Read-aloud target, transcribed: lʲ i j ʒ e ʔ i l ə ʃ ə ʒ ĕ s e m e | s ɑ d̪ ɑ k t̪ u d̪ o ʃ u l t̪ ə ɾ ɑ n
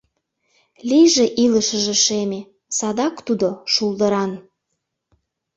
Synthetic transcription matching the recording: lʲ i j ʒ e ʔ i l ə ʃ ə ʒ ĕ ʃ e m e | s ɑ d̪ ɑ k t̪ u d̪ o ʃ u l d̪ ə ɾ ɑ n

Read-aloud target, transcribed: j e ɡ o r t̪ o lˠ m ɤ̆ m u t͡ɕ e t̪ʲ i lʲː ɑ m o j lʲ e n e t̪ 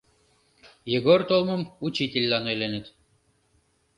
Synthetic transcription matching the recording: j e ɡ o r t̪ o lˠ m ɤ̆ m u t͡ɕ i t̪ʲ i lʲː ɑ n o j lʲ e n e t̪

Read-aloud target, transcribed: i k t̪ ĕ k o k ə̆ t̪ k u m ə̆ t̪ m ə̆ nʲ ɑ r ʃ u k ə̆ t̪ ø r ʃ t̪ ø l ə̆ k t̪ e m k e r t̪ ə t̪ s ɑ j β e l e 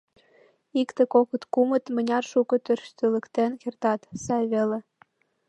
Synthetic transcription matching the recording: i k t̪ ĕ k o k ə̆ t̪ k u m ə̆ t̪ m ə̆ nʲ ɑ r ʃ u k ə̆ t̪ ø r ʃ t̪ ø l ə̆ k t̪ e n k e r t̪ ɑ t̪ s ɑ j β e l e

